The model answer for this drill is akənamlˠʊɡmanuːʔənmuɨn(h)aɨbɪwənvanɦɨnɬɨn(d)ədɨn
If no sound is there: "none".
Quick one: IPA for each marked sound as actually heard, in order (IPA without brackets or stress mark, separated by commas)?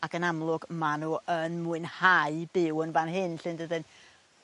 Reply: h, d